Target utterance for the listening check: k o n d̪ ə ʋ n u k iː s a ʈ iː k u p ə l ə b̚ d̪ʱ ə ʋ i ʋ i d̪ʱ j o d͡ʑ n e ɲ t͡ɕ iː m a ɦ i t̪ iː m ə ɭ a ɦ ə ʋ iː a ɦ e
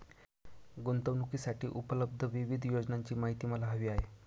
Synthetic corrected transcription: ɡ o n t̪ ə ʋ n u k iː s a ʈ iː ʔ u p ə l ə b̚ d̪ʱ ə ʋ i ʋ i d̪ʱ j o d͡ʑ n a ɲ t͡ɕ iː m a ɦ i t̪ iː m ə l a ɦ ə ʋ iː a ɦ e